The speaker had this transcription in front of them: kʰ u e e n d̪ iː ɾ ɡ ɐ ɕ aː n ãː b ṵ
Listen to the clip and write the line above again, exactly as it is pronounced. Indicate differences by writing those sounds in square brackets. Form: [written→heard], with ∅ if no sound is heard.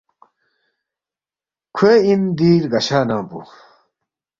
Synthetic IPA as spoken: kʰ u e [e→i] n d̪ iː ɾ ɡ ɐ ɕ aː n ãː [b→p] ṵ